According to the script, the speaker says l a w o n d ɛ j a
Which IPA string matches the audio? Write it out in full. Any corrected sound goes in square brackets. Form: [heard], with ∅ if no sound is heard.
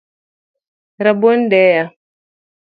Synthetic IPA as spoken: [ɾ] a [b] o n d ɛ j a